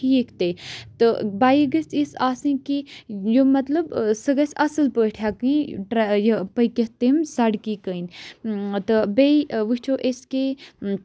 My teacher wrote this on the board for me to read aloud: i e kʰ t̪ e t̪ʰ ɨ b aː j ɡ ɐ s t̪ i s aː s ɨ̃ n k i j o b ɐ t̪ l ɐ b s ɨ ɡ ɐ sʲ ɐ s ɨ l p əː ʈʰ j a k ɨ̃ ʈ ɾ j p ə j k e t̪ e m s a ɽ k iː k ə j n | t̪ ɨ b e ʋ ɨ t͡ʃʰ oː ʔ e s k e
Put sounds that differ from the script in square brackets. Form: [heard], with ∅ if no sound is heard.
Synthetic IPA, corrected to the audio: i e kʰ t̪ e [t̪] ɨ b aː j ɡ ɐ s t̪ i s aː s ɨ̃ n k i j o [m] ɐ t̪ l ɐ b s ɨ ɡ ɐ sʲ ɐ s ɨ l p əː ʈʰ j a k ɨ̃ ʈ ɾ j p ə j k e t̪ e m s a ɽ k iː k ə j n | t̪ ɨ b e ʋ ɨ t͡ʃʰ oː ʔ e s k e